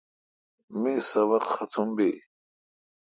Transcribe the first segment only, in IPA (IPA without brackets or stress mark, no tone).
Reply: m